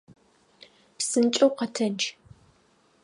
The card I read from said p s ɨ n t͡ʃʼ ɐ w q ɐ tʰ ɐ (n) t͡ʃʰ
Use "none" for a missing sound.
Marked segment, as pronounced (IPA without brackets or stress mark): n